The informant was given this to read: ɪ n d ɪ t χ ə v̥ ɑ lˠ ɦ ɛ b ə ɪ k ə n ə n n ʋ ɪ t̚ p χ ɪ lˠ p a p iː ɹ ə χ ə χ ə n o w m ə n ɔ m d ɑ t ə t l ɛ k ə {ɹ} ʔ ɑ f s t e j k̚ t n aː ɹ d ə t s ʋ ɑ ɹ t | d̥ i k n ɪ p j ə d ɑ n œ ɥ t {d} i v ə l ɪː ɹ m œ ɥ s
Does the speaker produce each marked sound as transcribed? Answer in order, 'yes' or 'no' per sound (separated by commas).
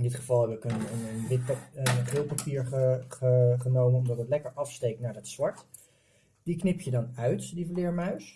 yes, yes